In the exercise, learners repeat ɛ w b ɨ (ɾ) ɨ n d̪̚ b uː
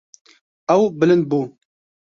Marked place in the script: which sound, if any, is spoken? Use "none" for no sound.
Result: l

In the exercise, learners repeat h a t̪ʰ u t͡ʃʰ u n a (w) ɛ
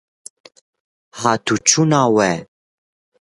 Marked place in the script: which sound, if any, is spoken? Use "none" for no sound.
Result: w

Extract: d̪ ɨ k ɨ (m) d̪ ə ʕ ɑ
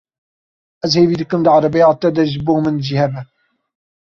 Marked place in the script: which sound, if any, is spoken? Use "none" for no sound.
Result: m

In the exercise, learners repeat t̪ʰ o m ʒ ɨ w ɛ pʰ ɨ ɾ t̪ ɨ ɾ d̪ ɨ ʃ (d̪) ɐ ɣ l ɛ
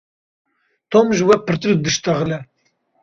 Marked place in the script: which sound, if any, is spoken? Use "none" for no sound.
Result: t̪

